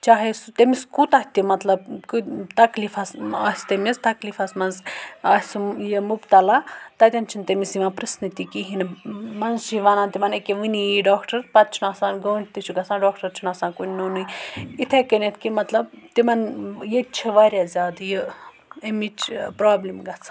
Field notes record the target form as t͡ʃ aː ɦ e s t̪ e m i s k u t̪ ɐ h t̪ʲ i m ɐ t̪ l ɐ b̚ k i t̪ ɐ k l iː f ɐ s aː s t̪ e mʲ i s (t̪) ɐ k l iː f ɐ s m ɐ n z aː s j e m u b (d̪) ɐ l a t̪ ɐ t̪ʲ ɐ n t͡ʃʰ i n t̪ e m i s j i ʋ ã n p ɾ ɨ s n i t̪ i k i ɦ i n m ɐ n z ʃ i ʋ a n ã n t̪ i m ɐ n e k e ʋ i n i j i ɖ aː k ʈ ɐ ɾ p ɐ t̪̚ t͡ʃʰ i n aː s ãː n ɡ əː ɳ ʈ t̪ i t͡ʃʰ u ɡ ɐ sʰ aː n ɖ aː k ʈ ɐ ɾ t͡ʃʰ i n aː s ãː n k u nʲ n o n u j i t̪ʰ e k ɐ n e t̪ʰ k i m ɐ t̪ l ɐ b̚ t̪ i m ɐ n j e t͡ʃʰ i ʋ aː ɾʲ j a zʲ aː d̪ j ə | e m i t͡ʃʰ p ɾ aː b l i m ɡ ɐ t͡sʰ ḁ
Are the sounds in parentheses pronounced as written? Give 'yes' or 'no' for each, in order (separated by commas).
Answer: yes, no